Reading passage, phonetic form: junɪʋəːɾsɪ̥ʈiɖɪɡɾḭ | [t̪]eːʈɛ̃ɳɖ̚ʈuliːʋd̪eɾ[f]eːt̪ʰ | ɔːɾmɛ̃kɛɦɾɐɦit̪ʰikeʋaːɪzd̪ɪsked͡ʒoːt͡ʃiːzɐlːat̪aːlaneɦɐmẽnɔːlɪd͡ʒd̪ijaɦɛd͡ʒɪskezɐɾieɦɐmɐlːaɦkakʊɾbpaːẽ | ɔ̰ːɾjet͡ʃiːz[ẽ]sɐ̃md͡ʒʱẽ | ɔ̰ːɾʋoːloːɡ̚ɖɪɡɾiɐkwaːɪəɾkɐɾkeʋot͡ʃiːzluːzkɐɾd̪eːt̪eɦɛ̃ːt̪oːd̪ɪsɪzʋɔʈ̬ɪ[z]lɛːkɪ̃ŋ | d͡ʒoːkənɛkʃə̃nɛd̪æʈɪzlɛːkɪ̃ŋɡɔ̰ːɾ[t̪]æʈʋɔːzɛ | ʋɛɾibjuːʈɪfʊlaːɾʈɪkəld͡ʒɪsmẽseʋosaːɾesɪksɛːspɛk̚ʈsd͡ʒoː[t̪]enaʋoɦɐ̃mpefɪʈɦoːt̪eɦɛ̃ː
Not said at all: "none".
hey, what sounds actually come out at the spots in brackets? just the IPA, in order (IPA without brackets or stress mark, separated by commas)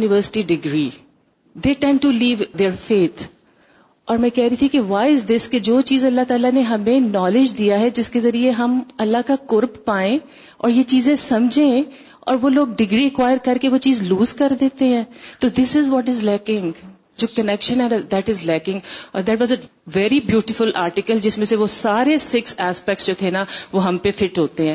d̪, f, ẽ, z, d̪, t̪ʰ